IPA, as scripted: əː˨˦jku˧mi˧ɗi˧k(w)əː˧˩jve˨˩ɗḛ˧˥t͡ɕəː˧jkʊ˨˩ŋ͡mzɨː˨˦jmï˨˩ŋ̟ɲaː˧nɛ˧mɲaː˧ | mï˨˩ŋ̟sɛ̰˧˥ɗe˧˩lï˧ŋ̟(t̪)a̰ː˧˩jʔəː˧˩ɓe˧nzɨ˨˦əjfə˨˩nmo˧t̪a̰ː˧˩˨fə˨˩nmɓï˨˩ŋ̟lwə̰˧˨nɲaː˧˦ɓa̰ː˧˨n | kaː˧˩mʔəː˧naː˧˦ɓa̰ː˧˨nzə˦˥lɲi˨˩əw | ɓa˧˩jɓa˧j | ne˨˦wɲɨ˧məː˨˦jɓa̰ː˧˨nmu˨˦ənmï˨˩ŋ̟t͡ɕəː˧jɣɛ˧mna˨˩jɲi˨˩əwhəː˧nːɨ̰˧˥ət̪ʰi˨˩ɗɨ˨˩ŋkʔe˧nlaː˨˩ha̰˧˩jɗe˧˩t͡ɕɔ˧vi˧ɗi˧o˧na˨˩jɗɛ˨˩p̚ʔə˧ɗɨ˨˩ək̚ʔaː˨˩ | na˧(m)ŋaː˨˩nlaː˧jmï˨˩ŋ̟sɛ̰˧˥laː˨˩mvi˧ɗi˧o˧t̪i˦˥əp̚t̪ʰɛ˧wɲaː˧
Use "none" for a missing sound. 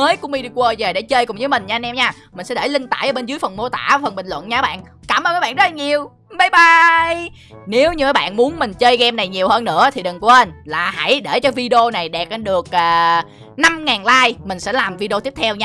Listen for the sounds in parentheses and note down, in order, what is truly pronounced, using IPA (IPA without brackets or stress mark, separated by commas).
w, t̪, m